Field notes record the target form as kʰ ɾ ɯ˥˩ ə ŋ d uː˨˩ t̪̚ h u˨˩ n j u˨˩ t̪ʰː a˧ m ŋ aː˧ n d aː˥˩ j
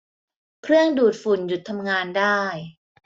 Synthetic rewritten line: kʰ ɾ ɯ˥˩ ə ŋ d uː˨˩ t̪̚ f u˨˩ n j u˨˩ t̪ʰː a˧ m ŋ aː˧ n d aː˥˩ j